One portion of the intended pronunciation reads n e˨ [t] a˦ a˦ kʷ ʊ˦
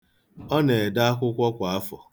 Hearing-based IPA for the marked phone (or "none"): d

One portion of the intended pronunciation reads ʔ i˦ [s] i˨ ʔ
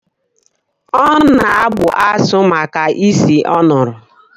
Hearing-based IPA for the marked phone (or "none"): s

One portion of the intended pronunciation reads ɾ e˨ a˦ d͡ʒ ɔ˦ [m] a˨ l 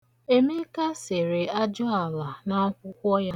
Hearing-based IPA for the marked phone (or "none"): none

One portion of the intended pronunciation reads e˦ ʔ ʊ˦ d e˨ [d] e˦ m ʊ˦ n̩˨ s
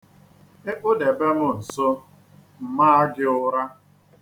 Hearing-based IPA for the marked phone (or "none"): b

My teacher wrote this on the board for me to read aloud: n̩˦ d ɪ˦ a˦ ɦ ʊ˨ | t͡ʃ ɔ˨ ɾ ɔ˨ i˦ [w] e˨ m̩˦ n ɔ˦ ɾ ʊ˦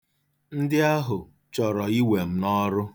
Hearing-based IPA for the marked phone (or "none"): w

